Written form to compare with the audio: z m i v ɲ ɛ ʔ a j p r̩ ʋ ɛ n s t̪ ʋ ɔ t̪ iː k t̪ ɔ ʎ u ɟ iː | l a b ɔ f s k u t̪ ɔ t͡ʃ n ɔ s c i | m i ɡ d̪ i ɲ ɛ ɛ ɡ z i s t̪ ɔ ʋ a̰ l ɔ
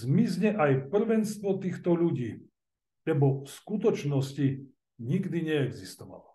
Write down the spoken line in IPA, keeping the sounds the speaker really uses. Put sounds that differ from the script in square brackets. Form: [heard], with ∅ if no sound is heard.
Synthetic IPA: z m i [z] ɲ ɛ ʔ a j p r̩ ʋ ɛ n s t̪ ʋ ɔ t̪ iː [x] t̪ ɔ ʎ u ɟ iː | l [ɛ] b ɔ f s k u t̪ ɔ t͡ʃ n ɔ s c i | [ɲ] i ɡ d̪ i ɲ ɛ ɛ ɡ z i s t̪ ɔ ʋ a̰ l ɔ